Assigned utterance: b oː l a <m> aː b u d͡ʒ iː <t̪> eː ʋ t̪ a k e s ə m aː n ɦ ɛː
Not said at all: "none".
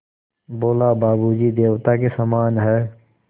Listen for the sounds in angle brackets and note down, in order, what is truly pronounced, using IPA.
b, d̪

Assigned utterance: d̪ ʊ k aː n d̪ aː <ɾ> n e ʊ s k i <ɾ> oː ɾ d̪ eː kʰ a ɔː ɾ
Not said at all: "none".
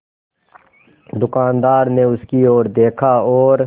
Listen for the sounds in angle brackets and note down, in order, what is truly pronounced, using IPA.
ɾ, none

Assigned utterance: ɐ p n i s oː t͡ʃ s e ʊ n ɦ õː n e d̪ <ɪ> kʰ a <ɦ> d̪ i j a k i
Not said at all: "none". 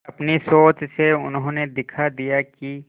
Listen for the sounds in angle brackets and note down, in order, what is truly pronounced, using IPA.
ɪ, none

